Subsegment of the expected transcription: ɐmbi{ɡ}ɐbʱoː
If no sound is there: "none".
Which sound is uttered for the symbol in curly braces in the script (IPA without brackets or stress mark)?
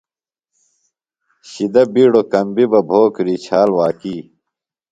b